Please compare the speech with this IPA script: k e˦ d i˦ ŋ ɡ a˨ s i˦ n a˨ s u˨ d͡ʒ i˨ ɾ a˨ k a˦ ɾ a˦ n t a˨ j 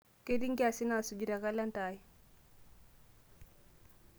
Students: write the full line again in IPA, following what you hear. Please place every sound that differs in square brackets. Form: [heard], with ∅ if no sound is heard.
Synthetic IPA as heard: k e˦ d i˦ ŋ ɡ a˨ s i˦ n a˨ s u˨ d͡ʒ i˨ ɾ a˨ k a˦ [l] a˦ n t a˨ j